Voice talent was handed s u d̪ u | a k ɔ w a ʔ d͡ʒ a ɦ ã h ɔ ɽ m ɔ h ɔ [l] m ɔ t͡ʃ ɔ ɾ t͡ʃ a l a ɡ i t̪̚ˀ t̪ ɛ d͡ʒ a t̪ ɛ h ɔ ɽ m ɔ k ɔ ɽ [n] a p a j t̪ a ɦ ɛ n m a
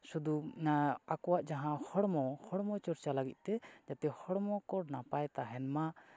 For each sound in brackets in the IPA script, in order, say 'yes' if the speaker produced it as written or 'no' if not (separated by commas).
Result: no, yes